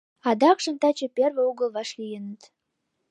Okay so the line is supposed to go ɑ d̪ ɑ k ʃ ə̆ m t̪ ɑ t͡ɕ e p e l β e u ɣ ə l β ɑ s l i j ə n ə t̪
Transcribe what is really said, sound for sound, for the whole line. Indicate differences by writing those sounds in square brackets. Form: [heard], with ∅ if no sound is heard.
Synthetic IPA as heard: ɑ d̪ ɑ k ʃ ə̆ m t̪ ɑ t͡ɕ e p e [r] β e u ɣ ə l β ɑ [ʃ] l i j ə n ə t̪